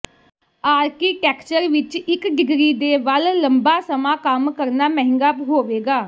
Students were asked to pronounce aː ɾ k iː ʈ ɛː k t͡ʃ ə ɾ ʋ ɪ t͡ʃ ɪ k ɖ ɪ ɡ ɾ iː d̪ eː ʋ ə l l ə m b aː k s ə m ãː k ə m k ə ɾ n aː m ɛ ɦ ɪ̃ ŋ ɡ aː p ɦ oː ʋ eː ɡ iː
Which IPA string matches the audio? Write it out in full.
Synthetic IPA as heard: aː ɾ k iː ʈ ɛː k t͡ʃ ə ɾ ʋ ɪ t͡ʃ ɪ k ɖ ɪ ɡ ɾ iː d̪ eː ʋ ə l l ə m b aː s ə m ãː k ə m k ə ɾ n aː m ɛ ɦ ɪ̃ ŋ ɡ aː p ɦ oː ʋ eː ɡ aː